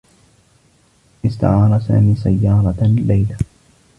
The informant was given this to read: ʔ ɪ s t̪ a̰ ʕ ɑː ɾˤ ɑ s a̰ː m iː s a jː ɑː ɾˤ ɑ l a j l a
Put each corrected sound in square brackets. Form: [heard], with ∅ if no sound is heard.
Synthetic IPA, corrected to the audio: ʔ ɪ s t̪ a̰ ʕ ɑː ɾˤ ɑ s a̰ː m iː s a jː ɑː ɾˤ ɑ l a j l a